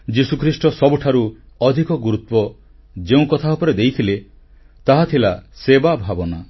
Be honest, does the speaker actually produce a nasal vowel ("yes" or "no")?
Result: yes